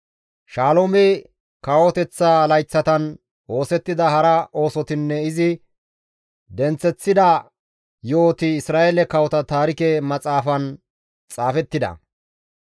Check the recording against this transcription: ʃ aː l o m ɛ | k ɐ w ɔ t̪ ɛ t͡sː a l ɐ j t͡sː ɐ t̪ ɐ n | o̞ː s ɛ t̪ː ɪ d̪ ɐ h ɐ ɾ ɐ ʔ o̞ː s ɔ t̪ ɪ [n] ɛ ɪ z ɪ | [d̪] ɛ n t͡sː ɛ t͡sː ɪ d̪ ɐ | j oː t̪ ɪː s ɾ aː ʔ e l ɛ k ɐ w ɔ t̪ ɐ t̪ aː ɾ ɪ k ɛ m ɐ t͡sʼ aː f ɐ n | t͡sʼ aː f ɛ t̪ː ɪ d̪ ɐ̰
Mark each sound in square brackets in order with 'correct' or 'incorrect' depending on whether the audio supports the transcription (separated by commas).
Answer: incorrect, correct